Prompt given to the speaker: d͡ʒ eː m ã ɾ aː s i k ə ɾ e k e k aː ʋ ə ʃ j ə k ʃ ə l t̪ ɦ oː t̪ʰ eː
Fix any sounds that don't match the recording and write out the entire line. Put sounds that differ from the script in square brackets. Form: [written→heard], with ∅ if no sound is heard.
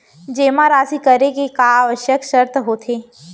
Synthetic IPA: d͡ʒ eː m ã ɾ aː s i k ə ɾ e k e k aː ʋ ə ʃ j ə k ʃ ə [l→ɾ] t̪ ɦ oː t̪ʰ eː